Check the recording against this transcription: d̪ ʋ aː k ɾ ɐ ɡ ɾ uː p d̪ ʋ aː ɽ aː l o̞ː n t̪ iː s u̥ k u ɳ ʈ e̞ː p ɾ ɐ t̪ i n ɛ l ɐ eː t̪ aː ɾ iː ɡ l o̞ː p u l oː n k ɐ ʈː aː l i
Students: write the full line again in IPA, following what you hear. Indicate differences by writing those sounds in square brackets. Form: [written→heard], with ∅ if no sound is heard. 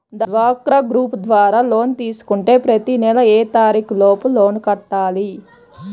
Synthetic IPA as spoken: d̪ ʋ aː k ɾ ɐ ɡ ɾ uː p d̪ ʋ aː [ɽ→ɾ] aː l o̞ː n t̪ iː s u̥ k u ɳ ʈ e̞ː p ɾ ɐ t̪ i n ɛ l ɐ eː t̪ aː ɾ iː [ɡ→k] l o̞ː p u l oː n k ɐ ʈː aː l i